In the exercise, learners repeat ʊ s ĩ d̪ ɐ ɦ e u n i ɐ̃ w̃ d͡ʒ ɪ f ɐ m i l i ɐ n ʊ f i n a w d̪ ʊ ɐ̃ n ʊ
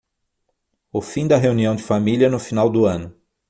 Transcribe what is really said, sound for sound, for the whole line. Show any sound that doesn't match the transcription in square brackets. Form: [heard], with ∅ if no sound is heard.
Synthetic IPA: ʊ [f] ĩ d̪ ɐ ɦ e u n i ɐ̃ w̃ d͡ʒ ɪ f [a] m i l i ɐ n ʊ f i n a w d̪ ʊ ɐ̃ n ʊ